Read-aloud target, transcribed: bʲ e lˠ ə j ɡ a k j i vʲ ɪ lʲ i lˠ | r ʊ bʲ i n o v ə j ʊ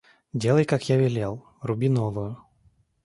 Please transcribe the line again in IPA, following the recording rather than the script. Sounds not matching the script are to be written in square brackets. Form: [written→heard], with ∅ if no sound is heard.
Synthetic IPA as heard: [bʲ→dʲ] e lˠ ə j [ɡ→k] a k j [i→a] vʲ ɪ lʲ [i→e] lˠ | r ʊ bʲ i n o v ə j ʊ